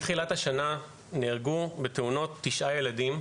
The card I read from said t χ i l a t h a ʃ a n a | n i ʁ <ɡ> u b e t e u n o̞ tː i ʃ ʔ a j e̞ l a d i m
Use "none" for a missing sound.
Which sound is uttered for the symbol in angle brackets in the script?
ɡ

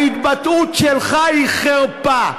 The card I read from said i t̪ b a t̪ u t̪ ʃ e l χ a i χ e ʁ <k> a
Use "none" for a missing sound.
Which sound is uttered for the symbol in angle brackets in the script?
p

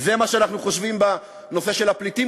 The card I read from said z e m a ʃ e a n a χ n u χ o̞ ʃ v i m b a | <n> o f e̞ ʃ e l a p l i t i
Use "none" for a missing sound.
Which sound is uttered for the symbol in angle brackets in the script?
n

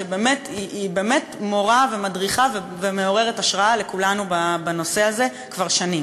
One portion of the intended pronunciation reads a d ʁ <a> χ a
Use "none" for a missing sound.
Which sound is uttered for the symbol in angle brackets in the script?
i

